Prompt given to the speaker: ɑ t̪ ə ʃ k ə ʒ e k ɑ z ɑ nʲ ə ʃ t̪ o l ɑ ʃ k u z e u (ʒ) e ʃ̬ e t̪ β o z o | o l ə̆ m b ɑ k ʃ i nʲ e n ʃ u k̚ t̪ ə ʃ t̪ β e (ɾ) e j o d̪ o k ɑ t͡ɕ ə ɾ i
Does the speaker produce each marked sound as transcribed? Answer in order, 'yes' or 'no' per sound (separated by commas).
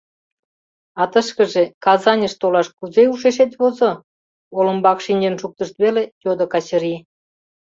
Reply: no, no